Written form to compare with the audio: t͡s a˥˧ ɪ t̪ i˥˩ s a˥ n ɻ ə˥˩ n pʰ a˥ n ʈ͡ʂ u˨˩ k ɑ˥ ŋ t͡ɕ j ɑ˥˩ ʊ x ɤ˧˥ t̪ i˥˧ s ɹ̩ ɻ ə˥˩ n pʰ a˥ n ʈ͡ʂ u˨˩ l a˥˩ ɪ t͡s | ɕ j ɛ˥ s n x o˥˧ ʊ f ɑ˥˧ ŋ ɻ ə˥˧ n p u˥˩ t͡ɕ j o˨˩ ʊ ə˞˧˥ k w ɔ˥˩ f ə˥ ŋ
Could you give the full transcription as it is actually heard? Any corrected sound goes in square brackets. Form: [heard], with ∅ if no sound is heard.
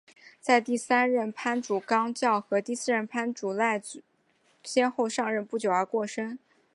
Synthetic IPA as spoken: t͡s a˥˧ ɪ t̪ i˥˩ s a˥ n ɻ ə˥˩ n pʰ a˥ n ʈ͡ʂ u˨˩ k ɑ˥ ŋ t͡ɕ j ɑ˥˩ ʊ x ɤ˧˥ t̪ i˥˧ s ɹ̩ ɻ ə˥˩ n pʰ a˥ n ʈ͡ʂ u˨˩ l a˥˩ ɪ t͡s | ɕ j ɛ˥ [∅] n x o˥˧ ʊ [ʂ] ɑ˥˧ ŋ ɻ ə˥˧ n p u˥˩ t͡ɕ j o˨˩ ʊ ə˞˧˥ k w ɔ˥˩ [ʂ] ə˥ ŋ